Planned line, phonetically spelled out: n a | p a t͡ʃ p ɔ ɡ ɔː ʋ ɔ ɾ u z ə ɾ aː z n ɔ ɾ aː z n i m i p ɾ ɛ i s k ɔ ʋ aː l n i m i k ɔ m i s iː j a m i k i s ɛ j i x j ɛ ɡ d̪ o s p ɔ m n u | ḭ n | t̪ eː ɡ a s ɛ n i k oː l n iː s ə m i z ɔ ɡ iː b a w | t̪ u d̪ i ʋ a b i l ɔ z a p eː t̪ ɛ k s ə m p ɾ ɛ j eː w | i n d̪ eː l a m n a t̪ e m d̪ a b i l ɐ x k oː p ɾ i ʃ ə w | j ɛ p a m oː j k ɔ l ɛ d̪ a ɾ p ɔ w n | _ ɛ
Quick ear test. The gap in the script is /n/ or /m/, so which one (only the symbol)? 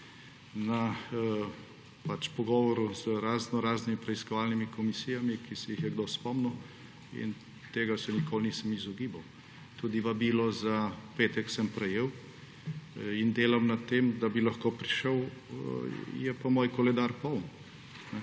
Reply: n